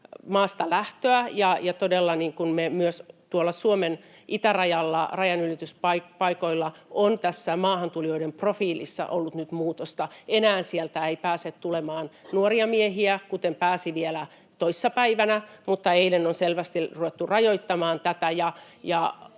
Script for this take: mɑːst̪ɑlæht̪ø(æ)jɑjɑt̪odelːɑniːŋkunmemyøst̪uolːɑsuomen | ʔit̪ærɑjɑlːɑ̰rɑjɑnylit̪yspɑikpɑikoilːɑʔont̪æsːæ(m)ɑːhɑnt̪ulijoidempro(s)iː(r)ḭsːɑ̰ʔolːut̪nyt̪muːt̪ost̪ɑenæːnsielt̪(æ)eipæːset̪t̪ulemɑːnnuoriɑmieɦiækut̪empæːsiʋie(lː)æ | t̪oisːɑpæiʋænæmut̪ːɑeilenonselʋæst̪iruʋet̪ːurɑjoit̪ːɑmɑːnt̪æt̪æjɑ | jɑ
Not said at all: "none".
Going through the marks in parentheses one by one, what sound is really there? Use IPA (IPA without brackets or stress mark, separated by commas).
æ, m, f, l, æ, l